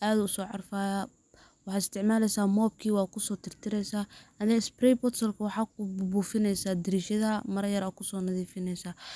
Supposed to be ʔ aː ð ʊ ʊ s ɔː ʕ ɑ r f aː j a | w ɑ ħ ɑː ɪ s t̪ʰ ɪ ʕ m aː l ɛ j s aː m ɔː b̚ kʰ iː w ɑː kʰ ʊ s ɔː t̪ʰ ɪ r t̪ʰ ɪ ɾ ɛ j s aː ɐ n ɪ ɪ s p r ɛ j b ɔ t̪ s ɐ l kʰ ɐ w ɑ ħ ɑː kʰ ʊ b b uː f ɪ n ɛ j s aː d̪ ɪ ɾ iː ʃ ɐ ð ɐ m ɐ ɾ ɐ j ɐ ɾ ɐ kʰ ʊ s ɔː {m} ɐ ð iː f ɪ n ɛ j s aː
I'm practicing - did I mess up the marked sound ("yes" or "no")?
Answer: yes